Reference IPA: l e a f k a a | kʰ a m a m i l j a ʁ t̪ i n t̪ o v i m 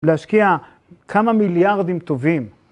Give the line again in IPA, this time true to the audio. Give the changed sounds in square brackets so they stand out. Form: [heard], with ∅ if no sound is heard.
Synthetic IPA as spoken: l e a [ʃ] k [i] a | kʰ a m a m i l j a ʁ [d̪] i [m] t̪ o v i m